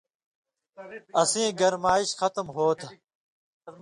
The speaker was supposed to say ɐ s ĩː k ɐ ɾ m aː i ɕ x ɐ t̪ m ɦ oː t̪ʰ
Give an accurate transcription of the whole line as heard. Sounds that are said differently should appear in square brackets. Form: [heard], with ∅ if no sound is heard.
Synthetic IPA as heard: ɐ s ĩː [ɡ] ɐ ɾ m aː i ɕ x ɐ t̪ m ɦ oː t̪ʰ